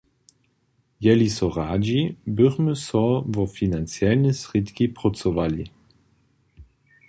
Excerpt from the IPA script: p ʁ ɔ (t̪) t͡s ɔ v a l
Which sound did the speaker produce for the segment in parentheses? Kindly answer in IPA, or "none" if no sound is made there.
none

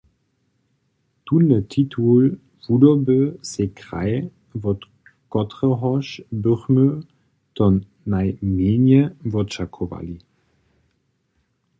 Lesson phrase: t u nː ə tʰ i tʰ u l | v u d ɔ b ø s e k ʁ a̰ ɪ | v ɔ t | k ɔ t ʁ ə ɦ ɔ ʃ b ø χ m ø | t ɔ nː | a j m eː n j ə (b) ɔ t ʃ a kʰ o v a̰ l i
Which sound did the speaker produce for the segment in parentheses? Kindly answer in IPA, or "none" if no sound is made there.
v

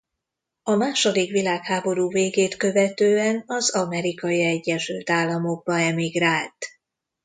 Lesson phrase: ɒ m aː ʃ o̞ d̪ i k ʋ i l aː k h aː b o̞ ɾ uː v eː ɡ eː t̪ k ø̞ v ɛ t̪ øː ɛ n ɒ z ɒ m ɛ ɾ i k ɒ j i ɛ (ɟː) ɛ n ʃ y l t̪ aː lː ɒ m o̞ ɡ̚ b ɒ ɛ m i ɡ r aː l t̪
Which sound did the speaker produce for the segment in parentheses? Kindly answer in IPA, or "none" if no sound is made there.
ɟː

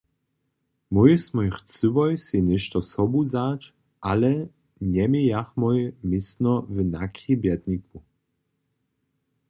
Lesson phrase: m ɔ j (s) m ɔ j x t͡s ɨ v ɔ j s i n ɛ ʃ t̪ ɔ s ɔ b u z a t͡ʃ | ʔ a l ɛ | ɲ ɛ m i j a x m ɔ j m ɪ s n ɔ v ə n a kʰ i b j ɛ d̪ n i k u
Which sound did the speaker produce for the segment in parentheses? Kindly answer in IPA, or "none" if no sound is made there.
s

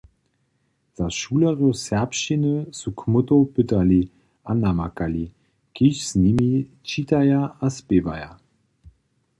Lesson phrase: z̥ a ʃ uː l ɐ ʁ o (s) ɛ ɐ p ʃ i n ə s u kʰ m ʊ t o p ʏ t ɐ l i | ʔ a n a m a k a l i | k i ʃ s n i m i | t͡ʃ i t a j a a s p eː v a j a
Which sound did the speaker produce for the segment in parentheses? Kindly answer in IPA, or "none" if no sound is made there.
s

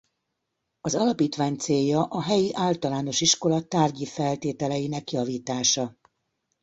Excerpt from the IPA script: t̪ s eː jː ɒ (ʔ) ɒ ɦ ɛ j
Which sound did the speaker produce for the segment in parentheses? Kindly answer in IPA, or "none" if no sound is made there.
ʔ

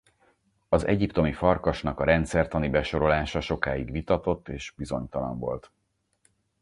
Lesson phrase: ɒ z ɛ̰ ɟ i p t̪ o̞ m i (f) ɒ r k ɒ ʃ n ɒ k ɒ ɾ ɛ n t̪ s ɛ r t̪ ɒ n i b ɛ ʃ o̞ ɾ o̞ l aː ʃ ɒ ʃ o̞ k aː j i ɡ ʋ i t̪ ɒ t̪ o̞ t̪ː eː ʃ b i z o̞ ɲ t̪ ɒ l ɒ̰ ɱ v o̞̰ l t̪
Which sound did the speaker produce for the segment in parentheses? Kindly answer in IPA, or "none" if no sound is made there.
f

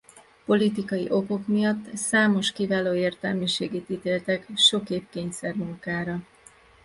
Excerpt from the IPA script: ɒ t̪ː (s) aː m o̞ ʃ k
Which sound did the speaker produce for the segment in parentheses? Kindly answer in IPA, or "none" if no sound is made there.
s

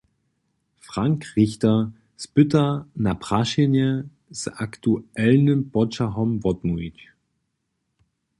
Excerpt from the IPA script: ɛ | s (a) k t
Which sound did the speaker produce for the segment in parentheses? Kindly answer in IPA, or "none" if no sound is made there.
a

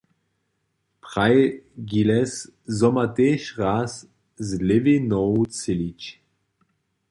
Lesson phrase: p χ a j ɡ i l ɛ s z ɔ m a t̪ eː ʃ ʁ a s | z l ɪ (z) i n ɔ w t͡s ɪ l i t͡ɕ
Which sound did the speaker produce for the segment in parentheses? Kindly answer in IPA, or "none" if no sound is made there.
v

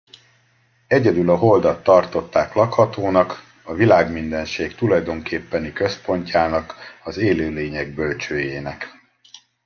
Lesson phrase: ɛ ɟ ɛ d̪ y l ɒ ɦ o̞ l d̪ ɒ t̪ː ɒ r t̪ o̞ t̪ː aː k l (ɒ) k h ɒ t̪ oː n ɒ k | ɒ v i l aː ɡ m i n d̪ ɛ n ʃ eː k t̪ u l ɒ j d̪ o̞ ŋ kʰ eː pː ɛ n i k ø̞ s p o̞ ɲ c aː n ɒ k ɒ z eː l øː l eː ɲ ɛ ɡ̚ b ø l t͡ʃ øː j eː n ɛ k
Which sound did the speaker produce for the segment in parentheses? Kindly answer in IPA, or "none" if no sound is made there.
ɒ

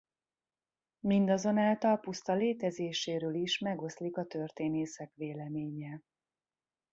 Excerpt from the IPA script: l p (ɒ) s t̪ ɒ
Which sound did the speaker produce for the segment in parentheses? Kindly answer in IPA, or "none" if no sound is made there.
u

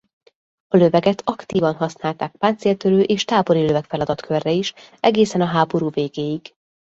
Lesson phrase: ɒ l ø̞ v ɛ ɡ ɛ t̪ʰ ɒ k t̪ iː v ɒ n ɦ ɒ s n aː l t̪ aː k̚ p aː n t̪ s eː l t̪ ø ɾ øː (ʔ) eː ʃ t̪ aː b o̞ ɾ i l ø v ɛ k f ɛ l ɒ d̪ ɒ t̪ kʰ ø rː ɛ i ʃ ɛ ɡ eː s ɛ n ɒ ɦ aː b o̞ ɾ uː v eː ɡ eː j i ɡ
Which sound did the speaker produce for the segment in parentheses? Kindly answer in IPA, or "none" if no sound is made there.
ʔ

